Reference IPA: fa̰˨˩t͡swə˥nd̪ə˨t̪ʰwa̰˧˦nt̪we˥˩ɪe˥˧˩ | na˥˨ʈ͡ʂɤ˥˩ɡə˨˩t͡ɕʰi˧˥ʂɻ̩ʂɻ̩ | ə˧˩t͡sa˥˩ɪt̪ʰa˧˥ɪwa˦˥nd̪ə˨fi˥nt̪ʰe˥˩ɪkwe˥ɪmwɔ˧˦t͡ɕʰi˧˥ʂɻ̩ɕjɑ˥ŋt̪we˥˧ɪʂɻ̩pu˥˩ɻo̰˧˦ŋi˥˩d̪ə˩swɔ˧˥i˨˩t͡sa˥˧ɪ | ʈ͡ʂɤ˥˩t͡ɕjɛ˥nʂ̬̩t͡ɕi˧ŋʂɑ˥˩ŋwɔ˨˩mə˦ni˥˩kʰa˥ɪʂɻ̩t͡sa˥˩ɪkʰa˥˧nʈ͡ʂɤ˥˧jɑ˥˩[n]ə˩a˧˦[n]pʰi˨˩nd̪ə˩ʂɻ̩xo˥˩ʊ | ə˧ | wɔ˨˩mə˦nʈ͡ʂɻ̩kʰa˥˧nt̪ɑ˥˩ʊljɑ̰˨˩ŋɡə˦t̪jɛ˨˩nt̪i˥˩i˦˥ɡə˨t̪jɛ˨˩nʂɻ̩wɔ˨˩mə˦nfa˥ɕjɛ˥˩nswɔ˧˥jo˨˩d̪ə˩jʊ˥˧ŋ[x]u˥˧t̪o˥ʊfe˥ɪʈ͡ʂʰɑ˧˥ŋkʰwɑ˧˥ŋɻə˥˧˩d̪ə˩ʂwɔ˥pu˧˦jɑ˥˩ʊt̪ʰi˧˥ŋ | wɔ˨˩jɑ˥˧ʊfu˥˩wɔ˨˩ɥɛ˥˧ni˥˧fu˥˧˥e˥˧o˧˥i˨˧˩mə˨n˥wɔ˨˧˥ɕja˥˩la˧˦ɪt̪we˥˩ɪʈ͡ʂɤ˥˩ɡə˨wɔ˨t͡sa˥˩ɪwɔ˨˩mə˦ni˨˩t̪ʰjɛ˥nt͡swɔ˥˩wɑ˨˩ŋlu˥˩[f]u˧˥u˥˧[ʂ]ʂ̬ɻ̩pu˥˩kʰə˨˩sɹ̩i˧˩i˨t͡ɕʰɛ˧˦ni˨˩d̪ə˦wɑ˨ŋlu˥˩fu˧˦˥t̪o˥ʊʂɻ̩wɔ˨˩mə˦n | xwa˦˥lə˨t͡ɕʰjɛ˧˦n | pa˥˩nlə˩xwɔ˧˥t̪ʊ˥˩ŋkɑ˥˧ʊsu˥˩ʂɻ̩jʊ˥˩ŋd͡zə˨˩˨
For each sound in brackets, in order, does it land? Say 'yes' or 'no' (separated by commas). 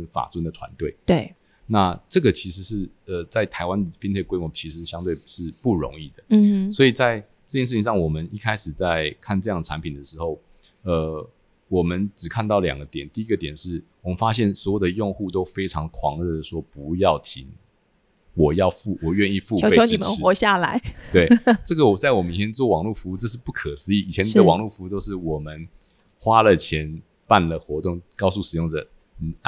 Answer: no, yes, yes, yes, no